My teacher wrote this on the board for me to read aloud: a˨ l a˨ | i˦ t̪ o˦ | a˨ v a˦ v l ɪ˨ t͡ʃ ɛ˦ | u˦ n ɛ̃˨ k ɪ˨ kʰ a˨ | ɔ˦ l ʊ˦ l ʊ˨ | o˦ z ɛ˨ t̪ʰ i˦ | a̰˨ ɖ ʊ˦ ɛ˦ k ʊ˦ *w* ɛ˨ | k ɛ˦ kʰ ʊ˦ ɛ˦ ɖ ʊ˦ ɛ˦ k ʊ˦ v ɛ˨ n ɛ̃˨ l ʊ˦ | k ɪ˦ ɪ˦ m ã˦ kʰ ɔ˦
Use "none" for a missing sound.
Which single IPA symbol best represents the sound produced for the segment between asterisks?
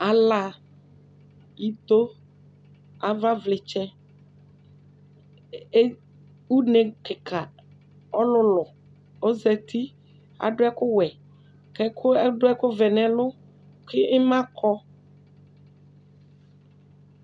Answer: w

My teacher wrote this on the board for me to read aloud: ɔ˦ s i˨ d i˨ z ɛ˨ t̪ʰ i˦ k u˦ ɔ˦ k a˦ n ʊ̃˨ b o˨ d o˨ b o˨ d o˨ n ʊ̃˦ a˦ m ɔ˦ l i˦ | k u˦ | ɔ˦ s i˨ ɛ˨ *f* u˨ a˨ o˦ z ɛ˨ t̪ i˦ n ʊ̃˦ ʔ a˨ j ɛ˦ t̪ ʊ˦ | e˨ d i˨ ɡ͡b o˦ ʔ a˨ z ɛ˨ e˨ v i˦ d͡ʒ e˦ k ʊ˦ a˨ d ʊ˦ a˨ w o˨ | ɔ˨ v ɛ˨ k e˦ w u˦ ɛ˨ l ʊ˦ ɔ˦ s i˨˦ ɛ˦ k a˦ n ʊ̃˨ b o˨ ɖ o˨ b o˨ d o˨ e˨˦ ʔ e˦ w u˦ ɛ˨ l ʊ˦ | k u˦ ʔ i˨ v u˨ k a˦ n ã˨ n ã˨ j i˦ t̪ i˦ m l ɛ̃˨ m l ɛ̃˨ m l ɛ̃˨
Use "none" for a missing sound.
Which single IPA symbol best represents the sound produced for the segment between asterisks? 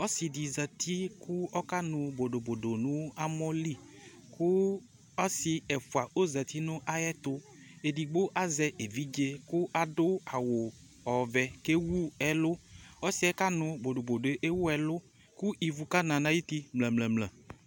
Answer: f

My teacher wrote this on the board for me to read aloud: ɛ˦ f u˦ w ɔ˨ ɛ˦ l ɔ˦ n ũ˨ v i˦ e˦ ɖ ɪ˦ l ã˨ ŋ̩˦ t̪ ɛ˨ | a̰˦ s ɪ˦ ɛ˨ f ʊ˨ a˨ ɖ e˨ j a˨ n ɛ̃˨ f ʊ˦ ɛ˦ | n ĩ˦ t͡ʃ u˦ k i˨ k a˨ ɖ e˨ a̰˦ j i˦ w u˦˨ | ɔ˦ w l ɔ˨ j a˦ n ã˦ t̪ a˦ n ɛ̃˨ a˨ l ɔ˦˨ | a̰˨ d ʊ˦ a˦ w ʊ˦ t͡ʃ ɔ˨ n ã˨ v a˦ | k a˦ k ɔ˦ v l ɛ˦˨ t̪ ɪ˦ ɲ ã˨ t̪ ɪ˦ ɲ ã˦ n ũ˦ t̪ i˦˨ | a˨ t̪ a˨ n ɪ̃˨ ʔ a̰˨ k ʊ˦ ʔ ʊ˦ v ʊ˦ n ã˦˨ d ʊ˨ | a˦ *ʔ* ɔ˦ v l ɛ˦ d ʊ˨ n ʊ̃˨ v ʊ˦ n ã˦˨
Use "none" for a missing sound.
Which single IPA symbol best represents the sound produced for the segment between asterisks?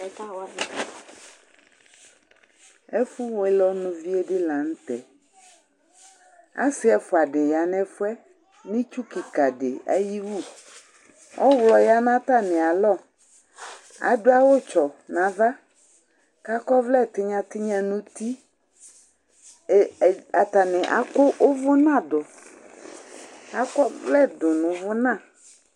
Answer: k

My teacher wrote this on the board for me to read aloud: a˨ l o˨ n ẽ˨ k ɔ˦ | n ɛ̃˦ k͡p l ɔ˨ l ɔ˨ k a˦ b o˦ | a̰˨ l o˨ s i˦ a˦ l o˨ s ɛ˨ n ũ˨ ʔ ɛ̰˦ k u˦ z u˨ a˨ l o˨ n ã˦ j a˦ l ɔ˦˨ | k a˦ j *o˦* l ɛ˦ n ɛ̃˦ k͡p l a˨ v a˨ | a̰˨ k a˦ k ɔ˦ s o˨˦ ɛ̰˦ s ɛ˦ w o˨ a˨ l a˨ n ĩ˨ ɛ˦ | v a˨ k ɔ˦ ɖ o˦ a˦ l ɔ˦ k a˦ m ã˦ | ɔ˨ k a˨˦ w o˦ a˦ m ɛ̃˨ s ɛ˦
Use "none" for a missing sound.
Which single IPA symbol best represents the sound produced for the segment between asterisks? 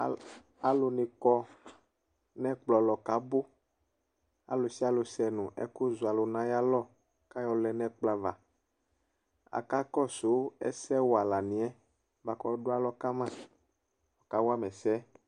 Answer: ɔ˦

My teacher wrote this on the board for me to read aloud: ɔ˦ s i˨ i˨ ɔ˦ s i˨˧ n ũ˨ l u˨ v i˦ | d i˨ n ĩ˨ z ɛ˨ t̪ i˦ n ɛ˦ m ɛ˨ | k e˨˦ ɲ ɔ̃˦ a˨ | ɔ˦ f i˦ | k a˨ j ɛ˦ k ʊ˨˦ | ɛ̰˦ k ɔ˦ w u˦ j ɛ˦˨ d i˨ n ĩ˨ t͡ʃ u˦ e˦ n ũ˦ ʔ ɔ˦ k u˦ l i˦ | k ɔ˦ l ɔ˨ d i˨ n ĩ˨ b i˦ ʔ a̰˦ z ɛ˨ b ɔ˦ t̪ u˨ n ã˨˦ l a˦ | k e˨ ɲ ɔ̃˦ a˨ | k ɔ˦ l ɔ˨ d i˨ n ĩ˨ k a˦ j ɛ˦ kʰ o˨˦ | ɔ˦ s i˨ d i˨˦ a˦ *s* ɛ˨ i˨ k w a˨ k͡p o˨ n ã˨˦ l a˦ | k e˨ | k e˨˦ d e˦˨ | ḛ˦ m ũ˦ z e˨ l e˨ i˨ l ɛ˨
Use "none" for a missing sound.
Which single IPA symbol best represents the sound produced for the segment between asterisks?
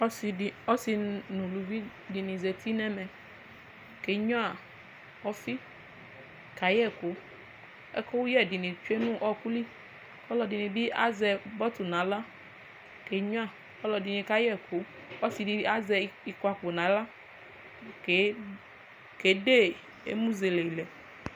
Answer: z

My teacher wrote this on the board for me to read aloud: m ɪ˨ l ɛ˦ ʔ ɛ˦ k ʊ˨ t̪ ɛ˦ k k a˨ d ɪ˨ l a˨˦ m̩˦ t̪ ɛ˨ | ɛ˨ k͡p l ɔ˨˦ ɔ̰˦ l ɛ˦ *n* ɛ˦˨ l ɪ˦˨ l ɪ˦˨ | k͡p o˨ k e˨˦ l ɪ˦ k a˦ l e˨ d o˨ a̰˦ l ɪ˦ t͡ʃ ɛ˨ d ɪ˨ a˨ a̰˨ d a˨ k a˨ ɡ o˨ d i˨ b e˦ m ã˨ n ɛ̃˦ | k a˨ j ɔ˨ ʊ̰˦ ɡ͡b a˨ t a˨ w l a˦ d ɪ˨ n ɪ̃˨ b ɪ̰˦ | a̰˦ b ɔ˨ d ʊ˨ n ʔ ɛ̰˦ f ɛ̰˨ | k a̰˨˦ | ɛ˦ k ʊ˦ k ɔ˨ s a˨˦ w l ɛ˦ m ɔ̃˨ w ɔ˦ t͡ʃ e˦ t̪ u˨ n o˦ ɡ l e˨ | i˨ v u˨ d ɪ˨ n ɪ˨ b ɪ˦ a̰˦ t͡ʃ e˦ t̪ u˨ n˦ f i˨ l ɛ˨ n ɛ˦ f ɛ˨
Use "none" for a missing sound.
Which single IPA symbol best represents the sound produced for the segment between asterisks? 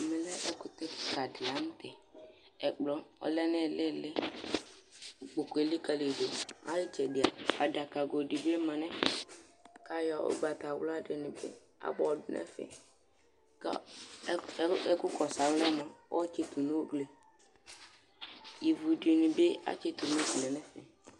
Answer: n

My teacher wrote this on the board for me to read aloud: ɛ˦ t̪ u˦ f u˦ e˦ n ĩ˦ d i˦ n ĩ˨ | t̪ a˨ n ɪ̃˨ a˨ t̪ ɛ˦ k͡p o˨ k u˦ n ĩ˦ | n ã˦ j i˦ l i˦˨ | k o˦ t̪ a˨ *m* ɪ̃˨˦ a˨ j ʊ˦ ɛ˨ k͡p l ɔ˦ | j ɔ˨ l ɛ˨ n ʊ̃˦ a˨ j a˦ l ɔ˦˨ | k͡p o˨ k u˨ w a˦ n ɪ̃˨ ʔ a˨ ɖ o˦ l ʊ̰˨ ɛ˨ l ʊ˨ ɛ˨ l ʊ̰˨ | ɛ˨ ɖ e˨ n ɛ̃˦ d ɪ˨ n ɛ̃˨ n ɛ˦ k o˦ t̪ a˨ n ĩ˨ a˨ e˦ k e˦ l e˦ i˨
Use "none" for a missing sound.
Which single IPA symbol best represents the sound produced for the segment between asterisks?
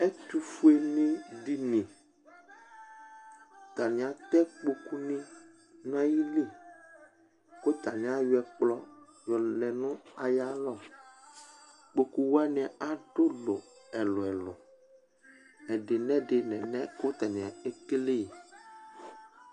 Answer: n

